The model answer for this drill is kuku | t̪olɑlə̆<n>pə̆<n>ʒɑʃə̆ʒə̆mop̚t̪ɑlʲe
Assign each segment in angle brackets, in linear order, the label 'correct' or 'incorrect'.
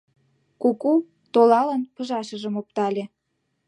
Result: correct, incorrect

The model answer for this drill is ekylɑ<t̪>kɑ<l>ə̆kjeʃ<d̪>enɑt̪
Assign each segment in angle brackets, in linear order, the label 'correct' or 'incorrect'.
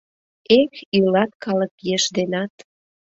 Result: correct, correct, correct

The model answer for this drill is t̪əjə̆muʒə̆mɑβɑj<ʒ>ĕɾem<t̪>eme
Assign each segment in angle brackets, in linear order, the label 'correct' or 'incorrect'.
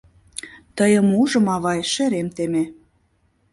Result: incorrect, correct

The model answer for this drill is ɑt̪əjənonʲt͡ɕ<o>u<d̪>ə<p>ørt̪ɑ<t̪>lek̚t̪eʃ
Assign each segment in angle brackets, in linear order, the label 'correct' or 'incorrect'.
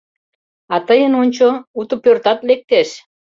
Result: correct, incorrect, correct, correct

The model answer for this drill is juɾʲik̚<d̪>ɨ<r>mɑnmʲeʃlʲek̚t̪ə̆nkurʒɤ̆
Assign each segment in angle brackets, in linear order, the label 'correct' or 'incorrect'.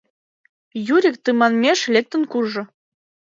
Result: incorrect, incorrect

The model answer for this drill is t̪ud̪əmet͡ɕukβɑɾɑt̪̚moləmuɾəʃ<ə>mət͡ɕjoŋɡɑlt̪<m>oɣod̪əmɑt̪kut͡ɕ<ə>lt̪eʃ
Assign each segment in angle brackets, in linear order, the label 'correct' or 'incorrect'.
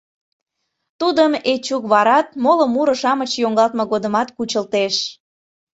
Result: incorrect, correct, correct

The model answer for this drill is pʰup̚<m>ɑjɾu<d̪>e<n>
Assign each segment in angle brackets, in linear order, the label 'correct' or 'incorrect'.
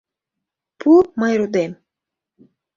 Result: correct, correct, incorrect

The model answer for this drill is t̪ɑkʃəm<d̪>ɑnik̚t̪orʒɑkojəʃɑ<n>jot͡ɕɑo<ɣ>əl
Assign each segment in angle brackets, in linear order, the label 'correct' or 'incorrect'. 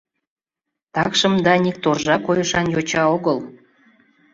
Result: correct, correct, correct

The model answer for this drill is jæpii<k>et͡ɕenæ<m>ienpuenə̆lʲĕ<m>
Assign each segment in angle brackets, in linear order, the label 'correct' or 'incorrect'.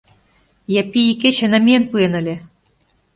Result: correct, correct, incorrect

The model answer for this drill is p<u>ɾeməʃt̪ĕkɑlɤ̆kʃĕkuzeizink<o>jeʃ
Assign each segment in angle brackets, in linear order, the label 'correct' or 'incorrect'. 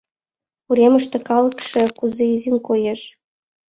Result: correct, correct

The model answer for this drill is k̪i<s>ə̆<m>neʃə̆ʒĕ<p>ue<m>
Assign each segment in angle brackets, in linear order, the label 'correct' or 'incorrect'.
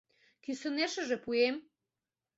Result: correct, incorrect, correct, correct

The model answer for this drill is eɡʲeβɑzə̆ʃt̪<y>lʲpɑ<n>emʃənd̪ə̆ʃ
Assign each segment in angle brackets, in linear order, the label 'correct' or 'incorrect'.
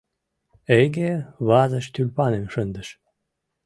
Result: correct, correct

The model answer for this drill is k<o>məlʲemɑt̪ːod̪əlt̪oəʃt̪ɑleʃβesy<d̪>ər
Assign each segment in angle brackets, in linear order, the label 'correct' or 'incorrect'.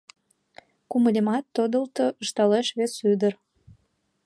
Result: incorrect, correct

